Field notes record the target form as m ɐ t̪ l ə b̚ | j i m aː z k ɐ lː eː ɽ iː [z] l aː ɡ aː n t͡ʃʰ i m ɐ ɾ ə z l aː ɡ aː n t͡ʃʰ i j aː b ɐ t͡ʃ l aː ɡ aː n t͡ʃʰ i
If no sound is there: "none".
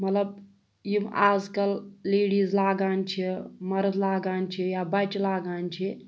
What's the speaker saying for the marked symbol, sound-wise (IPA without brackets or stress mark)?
z